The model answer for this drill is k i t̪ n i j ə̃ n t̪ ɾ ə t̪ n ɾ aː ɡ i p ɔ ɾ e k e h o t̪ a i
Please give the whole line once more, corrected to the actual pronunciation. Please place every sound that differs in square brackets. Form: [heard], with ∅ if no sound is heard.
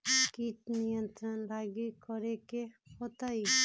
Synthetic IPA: k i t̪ n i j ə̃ n t̪ ɾ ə [∅] n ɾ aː ɡ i [k] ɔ ɾ e k e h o t̪ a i

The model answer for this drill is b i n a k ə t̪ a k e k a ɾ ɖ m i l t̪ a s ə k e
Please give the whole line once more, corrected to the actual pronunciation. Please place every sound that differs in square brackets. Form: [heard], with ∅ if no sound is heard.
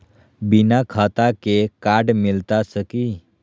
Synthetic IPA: b i n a [kʰ] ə t̪ a k e k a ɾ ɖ m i l t̪ a s ə k [i]

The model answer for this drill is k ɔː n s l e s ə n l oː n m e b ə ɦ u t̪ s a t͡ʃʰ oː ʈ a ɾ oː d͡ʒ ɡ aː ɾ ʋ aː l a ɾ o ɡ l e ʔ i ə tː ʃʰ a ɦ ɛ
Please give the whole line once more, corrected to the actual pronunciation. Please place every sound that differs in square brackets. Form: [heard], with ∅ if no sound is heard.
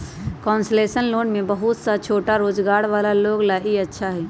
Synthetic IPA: k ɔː n s l e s ə n l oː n m e b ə ɦ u t̪ s a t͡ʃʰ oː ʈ a ɾ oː d͡ʒ ɡ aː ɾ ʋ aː l a [l] o ɡ l [a] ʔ i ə tː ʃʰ a ɦ ɛ

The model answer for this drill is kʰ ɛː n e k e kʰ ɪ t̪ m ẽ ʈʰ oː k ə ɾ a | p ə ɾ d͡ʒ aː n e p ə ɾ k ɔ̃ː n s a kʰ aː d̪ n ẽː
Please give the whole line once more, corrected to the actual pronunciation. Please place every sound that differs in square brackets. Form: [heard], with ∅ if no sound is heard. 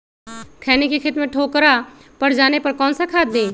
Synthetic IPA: kʰ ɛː n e k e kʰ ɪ t̪ m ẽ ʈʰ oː k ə ɾ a | p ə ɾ d͡ʒ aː n e p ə ɾ k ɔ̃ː n s a kʰ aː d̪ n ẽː

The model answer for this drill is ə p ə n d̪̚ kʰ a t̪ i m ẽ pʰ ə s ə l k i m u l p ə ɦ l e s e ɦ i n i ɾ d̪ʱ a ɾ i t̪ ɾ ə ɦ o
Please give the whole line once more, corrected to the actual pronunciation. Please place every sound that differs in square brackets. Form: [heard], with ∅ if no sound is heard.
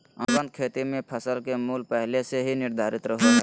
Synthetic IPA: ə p ə n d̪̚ kʰ [e] t̪ i m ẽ pʰ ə s ə l k [e] m u l p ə ɦ l e s e ɦ i n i ɾ d̪ʱ a ɾ i t̪ ɾ ə ɦ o

